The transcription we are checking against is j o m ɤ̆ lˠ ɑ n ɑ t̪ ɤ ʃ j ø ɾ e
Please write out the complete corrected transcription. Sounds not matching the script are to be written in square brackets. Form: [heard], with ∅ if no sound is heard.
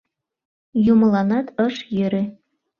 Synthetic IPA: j [u] m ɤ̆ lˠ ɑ n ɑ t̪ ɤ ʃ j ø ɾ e